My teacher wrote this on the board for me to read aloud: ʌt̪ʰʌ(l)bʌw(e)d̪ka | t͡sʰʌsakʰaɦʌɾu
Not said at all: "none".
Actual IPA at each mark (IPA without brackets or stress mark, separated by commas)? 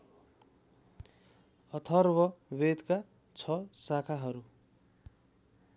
r, e